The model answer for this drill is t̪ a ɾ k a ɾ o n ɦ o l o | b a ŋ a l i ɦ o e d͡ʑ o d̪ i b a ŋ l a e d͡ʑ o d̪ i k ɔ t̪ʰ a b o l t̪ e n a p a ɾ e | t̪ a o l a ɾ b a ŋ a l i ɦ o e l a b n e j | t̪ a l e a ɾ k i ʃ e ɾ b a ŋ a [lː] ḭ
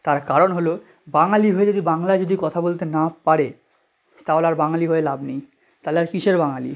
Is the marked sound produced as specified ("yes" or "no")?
no